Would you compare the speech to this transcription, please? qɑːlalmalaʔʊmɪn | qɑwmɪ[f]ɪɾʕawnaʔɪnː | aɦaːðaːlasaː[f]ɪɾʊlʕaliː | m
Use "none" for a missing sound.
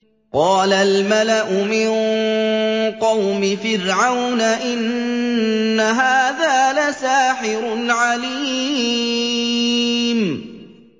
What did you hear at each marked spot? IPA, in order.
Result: f, ħ

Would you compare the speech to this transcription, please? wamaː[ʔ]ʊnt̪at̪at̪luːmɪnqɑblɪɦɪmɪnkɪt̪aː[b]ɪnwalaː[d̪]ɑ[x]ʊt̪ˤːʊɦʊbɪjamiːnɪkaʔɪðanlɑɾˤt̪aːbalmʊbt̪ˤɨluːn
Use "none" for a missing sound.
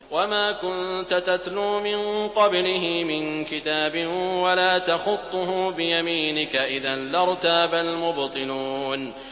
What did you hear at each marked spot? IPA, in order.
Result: k, b, t̪, x

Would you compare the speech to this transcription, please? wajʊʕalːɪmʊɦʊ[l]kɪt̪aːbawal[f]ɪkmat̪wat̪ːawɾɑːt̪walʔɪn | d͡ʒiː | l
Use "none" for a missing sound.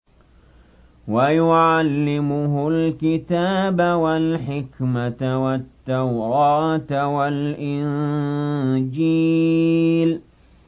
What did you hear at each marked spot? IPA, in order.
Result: l, ħ

